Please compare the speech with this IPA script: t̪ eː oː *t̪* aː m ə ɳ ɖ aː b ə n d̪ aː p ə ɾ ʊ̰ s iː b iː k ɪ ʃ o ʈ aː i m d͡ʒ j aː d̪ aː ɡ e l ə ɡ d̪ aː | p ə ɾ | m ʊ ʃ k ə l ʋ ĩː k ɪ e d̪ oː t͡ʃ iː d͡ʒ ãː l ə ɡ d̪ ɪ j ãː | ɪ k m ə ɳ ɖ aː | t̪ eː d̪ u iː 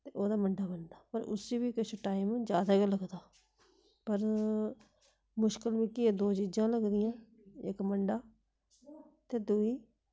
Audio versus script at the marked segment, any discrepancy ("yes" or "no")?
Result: yes